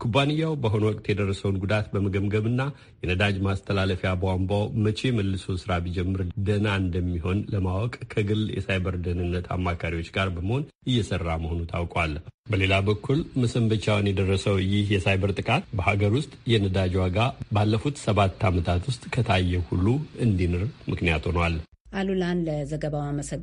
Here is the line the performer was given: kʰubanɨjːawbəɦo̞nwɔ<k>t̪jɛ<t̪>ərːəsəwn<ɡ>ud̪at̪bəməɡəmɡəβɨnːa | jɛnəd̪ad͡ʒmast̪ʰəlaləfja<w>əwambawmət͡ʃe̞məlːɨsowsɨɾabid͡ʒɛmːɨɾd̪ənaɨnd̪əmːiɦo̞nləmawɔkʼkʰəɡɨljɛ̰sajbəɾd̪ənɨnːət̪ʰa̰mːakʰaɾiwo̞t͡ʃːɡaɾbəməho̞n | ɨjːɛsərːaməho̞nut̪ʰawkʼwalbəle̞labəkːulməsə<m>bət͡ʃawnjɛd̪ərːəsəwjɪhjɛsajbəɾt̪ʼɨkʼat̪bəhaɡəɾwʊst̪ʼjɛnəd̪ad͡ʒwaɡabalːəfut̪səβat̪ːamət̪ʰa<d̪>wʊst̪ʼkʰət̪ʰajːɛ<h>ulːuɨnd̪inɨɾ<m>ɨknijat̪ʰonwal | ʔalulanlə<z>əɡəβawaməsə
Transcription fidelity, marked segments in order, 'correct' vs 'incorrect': incorrect: kʼ, incorrect: d̪, correct, incorrect: b, correct, incorrect: t̪, correct, correct, correct

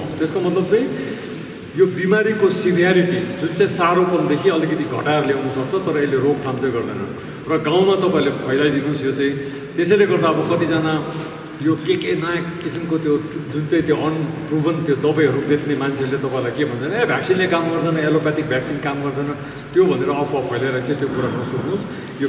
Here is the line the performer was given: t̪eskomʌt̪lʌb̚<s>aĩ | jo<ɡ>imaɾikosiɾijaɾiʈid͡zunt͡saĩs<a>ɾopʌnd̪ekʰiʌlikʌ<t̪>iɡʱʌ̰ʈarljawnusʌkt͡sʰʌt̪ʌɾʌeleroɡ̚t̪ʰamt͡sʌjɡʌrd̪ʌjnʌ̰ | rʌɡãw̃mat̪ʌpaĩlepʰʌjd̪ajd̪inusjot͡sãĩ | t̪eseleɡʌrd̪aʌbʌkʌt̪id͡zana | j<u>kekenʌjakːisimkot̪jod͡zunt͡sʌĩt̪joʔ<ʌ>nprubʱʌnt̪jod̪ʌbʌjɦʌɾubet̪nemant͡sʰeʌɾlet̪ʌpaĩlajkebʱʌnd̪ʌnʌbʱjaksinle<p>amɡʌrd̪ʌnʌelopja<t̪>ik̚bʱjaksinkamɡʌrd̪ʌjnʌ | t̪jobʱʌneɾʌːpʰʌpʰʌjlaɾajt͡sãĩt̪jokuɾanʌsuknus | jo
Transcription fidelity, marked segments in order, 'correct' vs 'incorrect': incorrect: t͡s, incorrect: b, correct, correct, incorrect: o, correct, incorrect: k, correct

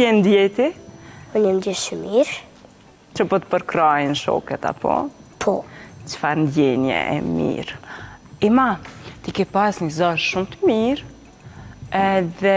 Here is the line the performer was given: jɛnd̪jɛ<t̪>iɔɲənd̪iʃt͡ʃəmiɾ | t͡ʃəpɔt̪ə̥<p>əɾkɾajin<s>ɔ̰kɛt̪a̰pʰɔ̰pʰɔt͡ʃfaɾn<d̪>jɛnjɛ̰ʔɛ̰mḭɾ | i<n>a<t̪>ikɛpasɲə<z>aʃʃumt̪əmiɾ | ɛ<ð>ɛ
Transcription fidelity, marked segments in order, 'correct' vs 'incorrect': correct, correct, incorrect: ʃ, correct, incorrect: m, correct, correct, correct

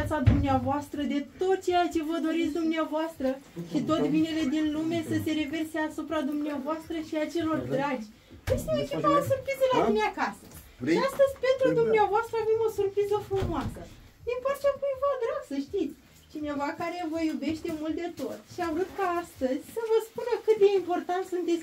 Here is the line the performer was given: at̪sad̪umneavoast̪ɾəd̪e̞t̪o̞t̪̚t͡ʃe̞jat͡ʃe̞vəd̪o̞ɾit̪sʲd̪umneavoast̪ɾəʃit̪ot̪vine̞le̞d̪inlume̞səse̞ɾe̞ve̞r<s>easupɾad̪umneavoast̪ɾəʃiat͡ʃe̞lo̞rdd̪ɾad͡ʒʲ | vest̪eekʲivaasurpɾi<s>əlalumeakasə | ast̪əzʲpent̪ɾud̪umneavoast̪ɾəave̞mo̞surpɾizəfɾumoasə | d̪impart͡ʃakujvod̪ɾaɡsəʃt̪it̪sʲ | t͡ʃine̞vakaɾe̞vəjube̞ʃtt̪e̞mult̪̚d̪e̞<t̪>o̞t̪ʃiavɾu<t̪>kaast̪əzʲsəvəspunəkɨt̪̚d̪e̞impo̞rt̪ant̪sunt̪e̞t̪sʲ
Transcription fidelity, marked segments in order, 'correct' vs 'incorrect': correct, incorrect: z, correct, correct

